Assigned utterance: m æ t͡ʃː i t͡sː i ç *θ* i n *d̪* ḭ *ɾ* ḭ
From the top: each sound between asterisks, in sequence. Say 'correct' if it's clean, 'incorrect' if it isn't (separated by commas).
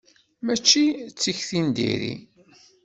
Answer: correct, correct, correct